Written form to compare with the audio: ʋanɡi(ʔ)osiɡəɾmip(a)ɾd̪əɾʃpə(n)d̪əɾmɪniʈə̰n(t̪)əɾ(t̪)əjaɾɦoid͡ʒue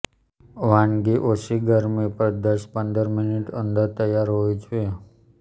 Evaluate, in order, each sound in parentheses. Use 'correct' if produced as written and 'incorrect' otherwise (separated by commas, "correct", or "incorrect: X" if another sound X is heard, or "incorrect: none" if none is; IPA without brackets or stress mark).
correct, incorrect: ə, correct, incorrect: d̪, correct